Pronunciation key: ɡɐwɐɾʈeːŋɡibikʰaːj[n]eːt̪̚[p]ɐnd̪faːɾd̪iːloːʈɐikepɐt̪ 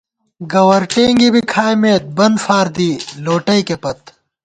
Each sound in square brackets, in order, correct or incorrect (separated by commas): incorrect, incorrect